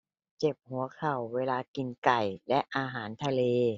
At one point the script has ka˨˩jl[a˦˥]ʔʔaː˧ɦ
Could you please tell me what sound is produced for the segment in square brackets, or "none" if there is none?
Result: ɛ˦˥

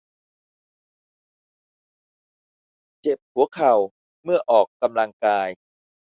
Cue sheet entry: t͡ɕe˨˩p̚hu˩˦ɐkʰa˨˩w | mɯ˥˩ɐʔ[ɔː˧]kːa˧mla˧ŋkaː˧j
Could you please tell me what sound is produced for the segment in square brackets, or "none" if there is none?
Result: ɔː˨˩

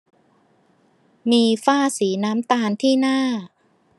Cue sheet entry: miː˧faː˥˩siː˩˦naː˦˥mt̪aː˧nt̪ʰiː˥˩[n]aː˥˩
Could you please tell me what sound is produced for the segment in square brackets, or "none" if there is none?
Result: n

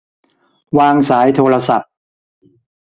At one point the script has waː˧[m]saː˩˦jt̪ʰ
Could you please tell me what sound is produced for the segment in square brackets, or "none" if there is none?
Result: ŋ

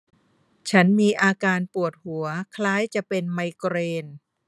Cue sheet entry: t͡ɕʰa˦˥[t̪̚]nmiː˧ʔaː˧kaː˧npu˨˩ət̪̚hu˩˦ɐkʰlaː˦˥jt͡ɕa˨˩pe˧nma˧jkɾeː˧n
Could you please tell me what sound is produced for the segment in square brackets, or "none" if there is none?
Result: none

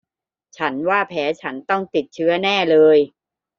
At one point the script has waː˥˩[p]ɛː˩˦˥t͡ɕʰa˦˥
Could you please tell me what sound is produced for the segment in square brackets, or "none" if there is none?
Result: pʰ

